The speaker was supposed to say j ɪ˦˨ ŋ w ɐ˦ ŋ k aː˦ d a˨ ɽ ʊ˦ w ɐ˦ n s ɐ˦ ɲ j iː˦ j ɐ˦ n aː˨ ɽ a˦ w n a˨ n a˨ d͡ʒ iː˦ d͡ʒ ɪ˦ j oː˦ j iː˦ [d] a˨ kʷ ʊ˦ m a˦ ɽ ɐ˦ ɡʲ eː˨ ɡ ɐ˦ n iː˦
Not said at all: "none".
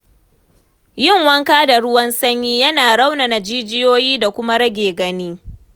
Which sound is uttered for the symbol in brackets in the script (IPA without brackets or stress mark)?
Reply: d